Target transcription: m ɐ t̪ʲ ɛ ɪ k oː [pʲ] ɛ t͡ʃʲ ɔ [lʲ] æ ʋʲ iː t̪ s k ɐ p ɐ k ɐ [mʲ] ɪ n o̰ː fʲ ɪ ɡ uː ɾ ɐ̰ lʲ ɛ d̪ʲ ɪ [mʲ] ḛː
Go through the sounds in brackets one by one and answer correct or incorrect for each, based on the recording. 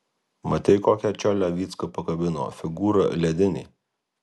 incorrect, correct, incorrect, incorrect

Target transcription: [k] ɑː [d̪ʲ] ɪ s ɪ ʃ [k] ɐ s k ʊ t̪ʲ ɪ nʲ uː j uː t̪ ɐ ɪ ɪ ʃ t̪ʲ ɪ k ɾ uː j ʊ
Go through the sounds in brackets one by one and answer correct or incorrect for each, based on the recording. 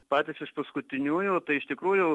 incorrect, incorrect, incorrect

